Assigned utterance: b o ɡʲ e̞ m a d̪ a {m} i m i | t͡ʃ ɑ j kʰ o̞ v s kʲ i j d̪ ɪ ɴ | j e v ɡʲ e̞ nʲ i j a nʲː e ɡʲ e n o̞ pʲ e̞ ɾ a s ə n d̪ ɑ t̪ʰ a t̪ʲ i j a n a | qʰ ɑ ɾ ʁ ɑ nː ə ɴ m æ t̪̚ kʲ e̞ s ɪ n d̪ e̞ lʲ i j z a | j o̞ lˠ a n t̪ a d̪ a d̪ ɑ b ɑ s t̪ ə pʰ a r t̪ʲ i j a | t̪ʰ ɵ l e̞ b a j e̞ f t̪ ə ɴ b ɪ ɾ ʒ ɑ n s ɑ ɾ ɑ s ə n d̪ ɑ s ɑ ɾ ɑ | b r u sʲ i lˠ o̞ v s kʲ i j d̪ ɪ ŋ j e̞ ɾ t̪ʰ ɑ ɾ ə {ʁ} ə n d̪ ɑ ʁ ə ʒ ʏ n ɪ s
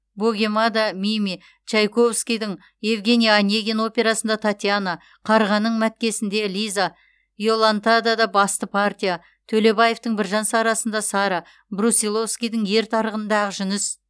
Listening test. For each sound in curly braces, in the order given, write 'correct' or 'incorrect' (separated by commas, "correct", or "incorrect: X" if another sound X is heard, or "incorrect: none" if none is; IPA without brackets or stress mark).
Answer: correct, correct